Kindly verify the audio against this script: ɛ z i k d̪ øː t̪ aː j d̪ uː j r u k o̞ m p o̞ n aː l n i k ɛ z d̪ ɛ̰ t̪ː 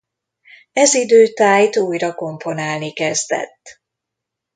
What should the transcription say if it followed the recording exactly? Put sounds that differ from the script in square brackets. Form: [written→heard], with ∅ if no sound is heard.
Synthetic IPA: ɛ z i [k→∅] d̪ øː t̪ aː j [d̪→t̪] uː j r [u→ɒ] k o̞ m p o̞ n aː l n i k ɛ z d̪ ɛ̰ t̪ː